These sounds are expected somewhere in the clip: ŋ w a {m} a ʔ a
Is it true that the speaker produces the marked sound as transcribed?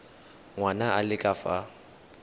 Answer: no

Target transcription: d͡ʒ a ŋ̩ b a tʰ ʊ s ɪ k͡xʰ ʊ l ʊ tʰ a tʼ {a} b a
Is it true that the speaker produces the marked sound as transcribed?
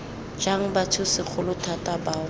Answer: yes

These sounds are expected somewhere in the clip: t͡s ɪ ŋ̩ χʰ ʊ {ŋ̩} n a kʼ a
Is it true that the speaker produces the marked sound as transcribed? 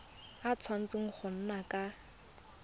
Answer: no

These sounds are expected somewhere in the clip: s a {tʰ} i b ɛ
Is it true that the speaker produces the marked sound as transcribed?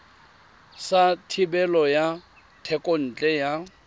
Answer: yes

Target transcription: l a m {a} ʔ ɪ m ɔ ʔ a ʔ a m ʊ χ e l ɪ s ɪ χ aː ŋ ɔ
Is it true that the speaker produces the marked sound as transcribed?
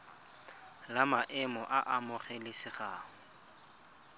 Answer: yes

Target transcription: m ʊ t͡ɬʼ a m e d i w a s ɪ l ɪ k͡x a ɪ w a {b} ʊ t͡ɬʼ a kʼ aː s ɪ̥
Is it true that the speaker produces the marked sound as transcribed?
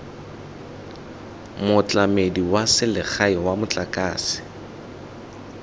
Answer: no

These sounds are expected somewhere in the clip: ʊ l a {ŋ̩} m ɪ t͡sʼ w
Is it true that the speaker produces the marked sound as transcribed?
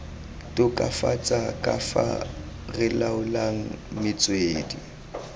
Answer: yes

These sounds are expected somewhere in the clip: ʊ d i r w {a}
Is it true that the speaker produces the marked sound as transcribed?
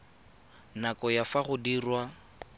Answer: yes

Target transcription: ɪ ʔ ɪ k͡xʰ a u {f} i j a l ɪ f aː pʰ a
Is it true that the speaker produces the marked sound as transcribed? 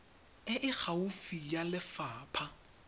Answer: yes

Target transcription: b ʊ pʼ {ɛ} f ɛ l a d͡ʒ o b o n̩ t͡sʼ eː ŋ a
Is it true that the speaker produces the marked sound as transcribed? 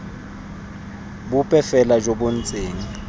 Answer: yes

